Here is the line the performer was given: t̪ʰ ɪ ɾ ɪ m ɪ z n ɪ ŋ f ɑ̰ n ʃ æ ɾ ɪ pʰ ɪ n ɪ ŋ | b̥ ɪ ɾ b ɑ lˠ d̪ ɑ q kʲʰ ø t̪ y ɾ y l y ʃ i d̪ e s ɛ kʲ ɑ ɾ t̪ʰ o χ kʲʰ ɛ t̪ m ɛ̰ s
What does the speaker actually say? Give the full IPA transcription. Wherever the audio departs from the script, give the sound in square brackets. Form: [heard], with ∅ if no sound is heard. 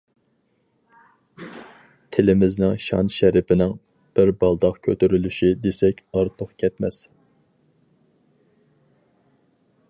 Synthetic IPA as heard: t̪ʰ ɪ [l] ɪ m ɪ z n ɪ ŋ [ʃ] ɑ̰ n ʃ æ ɾ ɪ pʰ ɪ n ɪ ŋ | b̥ ɪ ɾ b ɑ lˠ d̪ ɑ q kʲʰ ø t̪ y ɾ y l y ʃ i d̪ e s ɛ kʲ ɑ ɾ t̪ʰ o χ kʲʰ ɛ t̪ m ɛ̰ s